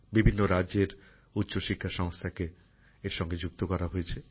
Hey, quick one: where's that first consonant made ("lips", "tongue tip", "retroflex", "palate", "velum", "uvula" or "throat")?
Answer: lips